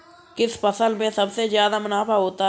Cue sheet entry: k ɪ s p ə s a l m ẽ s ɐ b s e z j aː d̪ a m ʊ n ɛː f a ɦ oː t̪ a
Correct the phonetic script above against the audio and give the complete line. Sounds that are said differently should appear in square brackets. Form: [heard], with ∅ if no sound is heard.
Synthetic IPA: k ɪ s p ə s [ə] l m ẽ s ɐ b s e z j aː d̪ a m ʊ n [aː] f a ɦ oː t̪ a